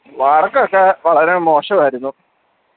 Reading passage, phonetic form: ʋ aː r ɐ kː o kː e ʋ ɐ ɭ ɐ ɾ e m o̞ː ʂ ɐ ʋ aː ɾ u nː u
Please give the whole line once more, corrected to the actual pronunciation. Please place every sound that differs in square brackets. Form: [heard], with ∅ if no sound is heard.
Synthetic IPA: ʋ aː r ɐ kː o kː e ʋ ɐ ɭ ɐ ɾ e m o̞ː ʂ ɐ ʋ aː ɾ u nː u